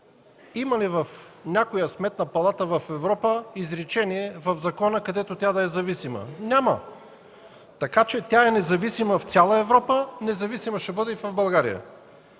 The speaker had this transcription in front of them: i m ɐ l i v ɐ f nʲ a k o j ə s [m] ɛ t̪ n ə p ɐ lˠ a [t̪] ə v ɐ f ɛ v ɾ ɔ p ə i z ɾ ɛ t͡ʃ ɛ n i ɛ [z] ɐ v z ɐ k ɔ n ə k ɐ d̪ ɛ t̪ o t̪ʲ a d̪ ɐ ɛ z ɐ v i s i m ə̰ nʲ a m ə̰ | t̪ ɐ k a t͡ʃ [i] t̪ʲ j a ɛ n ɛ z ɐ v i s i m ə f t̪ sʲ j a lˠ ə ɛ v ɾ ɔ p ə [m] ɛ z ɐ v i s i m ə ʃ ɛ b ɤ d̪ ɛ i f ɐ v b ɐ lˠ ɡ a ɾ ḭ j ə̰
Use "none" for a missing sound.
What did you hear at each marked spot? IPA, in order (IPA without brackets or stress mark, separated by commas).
m, t̪, v, ɛ, n